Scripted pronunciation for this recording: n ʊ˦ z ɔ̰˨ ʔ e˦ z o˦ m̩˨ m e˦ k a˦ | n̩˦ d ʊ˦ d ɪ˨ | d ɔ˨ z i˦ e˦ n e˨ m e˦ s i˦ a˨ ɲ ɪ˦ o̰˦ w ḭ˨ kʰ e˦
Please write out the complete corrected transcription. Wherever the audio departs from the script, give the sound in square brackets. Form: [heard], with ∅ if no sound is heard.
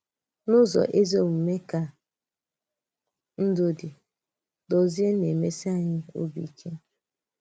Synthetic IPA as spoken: n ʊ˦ z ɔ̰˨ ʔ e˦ z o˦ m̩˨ m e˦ k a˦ | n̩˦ d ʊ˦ d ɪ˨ | d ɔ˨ z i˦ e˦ n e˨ m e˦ s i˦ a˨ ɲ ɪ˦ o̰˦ [b] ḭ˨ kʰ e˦